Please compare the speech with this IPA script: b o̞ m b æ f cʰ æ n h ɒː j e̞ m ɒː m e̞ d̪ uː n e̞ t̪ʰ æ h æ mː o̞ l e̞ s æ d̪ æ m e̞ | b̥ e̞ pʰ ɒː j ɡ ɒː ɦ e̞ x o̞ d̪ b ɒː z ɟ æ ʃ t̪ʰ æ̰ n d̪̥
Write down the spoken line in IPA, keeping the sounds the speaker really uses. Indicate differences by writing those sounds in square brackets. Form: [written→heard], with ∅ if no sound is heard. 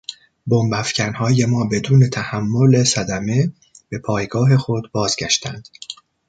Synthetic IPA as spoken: b o̞ m b æ f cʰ æ n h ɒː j e̞ m ɒː [m→b] e̞ d̪ uː n e̞ t̪ʰ æ h æ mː o̞ l e̞ s æ d̪ æ m e̞ | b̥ e̞ pʰ ɒː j ɡ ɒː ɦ e̞ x o̞ d̪ b ɒː z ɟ æ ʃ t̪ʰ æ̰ n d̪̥